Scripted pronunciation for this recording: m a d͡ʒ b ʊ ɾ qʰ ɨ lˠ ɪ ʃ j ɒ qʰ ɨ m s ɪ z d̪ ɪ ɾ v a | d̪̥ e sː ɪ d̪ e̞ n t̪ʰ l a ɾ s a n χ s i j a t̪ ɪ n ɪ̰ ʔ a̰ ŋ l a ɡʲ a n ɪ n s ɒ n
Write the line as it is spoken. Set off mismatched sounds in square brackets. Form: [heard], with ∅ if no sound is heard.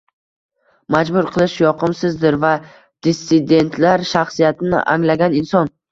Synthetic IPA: m a d͡ʒ b ʊ ɾ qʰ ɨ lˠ ɪ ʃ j ɒ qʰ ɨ m s ɪ z d̪ ɪ ɾ v a | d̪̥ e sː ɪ d̪ e̞ n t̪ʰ l a ɾ [ʃ] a [∅] χ s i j a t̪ ɪ n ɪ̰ ʔ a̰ ŋ l a ɡʲ a n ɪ n s ɒ n